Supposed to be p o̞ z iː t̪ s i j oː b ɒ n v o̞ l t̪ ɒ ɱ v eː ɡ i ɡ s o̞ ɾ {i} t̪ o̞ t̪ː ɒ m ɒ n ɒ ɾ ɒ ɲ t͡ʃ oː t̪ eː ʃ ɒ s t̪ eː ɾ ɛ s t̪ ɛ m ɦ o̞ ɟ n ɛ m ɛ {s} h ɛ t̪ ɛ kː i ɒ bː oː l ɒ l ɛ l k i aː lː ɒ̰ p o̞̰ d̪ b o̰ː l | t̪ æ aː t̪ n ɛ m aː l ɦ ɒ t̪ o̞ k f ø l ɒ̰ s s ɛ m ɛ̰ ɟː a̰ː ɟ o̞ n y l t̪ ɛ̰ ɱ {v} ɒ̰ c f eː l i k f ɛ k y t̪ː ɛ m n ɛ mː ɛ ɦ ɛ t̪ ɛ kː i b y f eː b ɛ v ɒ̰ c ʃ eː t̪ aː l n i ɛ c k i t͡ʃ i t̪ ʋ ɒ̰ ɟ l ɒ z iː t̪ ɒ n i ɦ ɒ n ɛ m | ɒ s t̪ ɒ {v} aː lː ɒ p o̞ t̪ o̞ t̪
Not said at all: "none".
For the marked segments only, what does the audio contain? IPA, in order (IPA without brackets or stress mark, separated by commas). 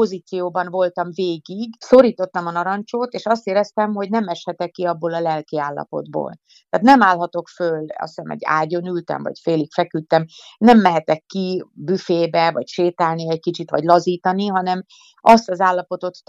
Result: iː, ʃ, v, z